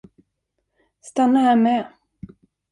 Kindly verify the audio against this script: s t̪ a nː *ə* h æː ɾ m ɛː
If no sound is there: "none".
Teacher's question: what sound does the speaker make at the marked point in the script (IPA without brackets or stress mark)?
a